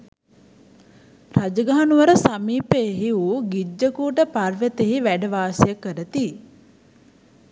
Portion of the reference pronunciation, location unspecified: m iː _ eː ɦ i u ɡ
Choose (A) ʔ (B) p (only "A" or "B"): B